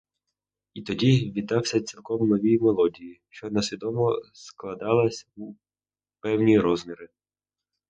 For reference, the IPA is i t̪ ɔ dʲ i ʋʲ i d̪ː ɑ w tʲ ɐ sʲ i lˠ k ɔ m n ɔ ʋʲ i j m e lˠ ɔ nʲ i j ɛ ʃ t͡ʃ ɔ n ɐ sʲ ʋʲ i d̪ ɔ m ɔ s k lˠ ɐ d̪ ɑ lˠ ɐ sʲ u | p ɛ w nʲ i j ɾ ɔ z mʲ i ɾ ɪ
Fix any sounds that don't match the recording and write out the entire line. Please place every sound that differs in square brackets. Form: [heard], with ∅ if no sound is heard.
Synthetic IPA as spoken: i t̪ ɔ dʲ i ʋʲ i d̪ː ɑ w [sʲ] ɐ [t͡sʲ] i lˠ k ɔ m n ɔ ʋʲ i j m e lˠ ɔ [dʲ] i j [i] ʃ t͡ʃ ɔ n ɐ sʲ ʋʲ i d̪ ɔ m ɔ s k lˠ ɐ d̪ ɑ lˠ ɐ sʲ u | p ɛ w nʲ i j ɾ ɔ z mʲ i ɾ ɪ